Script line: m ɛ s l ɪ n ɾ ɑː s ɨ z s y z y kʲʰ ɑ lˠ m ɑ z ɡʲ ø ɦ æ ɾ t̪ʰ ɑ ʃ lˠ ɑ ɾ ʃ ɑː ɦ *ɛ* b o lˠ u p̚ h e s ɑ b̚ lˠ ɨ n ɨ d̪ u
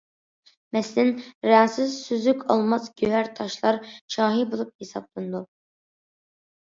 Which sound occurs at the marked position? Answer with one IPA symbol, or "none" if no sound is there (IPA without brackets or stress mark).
i